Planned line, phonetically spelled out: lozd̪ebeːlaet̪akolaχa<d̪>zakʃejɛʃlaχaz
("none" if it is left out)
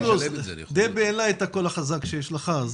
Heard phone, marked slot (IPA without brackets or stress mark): none